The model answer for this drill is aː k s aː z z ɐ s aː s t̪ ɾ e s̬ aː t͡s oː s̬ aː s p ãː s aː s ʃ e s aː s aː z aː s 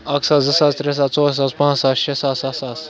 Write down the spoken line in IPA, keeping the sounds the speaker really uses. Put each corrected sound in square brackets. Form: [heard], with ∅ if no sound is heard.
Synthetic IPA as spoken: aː k s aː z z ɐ s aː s t̪ ɾ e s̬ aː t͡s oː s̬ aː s p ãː s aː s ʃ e s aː s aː [s] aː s